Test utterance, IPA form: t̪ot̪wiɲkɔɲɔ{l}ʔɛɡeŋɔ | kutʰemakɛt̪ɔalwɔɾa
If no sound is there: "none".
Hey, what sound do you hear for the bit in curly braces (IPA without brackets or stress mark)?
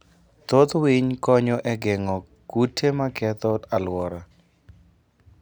none